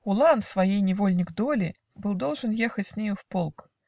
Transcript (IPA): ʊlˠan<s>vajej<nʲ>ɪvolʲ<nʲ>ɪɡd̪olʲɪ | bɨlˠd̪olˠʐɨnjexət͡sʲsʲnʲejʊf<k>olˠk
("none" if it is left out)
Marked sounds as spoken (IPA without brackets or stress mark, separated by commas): s, nʲ, nʲ, p